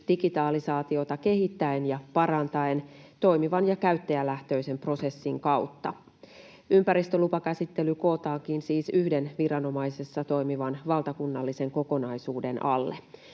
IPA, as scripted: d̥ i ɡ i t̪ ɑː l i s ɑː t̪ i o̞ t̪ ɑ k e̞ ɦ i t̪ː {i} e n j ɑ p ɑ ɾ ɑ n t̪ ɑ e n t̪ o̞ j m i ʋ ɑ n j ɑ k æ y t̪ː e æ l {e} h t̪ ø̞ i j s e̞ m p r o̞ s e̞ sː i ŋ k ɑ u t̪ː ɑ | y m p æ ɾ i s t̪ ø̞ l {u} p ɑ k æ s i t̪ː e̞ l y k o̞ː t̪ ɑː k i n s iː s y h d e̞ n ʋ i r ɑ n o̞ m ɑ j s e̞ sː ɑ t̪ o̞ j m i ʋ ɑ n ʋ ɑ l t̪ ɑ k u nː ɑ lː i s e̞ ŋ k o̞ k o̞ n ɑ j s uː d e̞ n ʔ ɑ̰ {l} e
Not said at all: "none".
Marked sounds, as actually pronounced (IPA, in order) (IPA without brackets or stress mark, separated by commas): æ, æ, u, lː